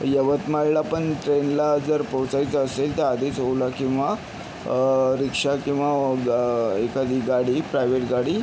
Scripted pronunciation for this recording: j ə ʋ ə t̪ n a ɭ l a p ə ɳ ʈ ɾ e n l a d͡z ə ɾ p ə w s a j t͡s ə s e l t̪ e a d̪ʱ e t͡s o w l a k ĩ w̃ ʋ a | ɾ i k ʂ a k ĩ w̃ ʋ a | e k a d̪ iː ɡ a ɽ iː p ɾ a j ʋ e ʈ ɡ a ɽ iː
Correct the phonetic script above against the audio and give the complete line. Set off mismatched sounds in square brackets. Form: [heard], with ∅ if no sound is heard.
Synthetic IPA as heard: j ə ʋ ə t̪ [m] a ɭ l a p ə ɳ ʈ ɾ e n l a d͡z ə ɾ p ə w [t͡s] a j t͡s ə s e l t̪ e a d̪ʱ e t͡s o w l a k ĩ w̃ ʋ a | ɾ i k ʂ a k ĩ w̃ ʋ a | e k a d̪ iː ɡ a ɽ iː p ɾ a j ʋ e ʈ ɡ a ɽ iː